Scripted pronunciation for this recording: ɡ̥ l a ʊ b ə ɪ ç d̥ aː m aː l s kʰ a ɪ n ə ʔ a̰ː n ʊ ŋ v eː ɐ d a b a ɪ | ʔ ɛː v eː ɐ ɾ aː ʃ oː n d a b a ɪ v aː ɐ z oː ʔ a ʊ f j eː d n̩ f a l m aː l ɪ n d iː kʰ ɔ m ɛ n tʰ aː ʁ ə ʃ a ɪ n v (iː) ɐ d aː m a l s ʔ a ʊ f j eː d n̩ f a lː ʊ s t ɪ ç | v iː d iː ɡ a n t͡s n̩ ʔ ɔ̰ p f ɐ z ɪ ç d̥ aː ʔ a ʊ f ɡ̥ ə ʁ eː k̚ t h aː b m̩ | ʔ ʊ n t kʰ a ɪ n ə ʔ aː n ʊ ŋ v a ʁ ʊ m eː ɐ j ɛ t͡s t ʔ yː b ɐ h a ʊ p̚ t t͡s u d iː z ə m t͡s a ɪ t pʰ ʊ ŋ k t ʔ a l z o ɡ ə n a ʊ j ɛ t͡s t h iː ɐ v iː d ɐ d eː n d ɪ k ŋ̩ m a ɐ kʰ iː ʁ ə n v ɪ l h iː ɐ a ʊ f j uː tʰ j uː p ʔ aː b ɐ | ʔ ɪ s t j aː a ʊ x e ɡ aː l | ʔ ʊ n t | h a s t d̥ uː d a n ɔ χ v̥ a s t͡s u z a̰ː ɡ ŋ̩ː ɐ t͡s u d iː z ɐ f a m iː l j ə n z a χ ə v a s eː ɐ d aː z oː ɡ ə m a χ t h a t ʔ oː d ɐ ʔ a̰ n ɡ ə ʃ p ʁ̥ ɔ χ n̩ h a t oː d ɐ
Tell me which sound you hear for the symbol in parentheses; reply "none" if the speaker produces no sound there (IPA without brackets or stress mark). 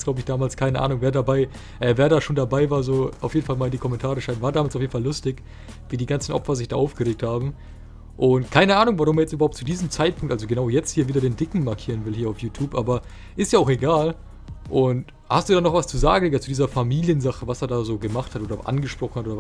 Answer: aː